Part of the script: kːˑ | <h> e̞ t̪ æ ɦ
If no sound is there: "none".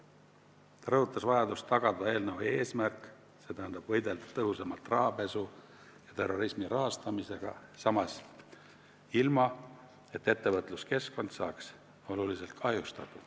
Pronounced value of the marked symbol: s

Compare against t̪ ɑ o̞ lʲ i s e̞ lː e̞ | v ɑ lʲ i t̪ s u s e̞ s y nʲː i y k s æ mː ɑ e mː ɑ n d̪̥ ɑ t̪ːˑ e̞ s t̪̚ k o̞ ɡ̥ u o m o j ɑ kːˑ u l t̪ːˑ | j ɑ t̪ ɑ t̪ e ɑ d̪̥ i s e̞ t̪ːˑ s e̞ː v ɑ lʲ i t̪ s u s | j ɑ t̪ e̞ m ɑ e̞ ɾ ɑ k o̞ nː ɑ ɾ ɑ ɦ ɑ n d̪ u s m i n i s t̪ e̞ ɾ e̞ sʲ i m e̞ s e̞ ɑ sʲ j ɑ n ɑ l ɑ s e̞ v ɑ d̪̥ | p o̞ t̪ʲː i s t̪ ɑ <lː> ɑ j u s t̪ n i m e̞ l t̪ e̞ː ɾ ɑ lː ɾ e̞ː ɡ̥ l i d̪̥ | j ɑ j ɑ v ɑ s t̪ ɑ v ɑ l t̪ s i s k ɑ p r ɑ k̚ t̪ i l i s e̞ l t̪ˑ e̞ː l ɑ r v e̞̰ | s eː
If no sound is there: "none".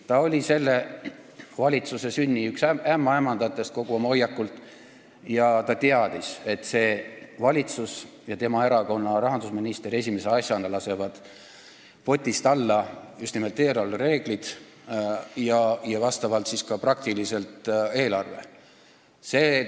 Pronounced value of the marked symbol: lː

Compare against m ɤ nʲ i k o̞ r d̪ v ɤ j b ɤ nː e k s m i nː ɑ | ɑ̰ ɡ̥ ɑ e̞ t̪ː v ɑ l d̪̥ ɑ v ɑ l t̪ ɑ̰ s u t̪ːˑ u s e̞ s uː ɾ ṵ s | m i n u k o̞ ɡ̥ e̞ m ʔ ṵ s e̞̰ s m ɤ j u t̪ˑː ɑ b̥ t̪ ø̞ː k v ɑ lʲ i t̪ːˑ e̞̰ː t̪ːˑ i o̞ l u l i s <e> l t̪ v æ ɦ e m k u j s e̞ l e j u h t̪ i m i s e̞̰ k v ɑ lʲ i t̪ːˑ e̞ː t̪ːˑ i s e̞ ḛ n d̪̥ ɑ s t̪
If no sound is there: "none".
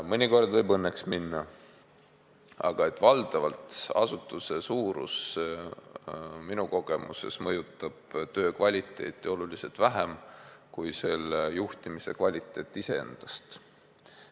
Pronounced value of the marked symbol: e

